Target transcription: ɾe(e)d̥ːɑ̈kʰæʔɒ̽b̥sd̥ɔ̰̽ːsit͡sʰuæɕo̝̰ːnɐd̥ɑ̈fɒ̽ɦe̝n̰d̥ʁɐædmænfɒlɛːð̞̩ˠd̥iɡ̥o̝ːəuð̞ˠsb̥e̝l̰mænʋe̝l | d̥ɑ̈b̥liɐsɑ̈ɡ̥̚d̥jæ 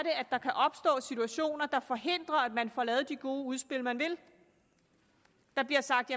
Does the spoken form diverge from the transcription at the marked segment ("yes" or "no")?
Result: yes